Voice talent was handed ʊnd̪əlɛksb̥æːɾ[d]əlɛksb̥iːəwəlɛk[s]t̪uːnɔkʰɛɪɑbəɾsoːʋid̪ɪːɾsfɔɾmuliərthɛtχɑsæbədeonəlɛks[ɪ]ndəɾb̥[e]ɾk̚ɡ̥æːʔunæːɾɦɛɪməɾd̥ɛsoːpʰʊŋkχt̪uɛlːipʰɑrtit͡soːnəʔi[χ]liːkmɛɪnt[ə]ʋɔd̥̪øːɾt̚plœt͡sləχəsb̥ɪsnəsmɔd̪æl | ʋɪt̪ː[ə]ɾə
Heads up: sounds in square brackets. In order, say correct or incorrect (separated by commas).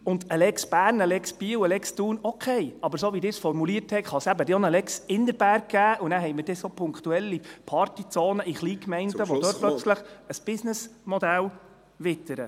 incorrect, correct, correct, incorrect, correct, correct, correct